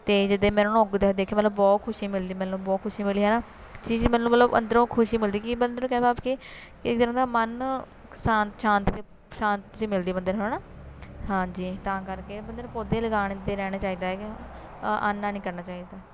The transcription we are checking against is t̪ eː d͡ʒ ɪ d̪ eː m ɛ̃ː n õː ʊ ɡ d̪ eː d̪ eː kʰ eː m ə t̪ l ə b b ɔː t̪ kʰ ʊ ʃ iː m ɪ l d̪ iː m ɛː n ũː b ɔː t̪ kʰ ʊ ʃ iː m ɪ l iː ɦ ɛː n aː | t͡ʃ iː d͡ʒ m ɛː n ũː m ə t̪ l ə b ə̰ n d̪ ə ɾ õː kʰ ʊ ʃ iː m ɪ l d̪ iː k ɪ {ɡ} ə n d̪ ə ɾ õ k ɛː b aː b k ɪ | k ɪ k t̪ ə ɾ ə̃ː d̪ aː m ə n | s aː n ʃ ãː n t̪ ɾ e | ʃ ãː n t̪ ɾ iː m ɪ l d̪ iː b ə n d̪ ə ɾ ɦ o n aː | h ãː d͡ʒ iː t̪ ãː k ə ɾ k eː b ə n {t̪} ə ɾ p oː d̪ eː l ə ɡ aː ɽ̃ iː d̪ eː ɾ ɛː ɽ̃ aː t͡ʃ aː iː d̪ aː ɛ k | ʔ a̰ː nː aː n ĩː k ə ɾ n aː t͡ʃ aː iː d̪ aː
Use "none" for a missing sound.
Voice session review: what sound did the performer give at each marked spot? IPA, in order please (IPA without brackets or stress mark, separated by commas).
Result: b, d̪